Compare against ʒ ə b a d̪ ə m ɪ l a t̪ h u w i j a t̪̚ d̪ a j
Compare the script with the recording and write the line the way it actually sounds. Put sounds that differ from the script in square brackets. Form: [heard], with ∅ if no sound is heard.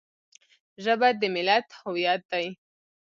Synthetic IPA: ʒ ə b a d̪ ə m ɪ l a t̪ h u w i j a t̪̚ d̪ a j